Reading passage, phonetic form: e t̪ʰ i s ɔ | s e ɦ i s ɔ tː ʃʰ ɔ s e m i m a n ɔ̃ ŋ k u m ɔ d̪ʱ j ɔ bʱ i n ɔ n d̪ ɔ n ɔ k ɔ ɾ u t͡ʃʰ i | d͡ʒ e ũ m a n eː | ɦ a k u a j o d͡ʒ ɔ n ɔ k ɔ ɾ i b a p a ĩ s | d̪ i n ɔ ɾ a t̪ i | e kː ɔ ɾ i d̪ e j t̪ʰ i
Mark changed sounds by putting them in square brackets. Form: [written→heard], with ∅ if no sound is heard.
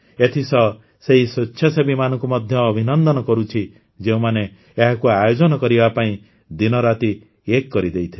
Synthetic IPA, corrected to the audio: e t̪ʰ i s ɔ | s e ɦ i s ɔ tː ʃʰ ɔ s e [m→b] i m a n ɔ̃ ŋ k u m ɔ d̪ʱ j [ɔ→ɔː] bʱ i n ɔ n d̪ ɔ n ɔ k ɔ ɾ u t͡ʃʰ i | d͡ʒ e ũ m a n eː | ɦ a k u a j o d͡ʒ ɔ n ɔ k ɔ ɾ i b a p a ĩ [s→∅] | d̪ i n ɔ ɾ a t̪ i | e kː ɔ ɾ i d̪ e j t̪ʰ i